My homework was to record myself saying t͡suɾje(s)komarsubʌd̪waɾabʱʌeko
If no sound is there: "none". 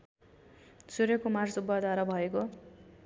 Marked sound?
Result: none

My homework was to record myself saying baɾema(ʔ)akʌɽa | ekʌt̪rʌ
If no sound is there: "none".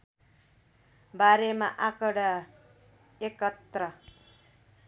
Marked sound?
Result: ʔ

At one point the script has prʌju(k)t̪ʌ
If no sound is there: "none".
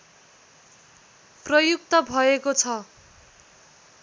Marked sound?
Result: k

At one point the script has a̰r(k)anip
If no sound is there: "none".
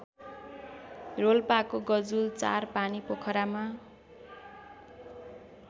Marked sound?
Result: p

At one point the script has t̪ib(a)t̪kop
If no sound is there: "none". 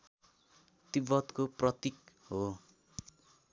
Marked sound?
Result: ʌ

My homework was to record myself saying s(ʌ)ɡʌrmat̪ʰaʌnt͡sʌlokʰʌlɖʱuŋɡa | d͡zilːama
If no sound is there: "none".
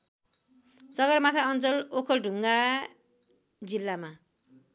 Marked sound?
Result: ʌ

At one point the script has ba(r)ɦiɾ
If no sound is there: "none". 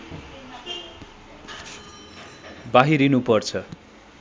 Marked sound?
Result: none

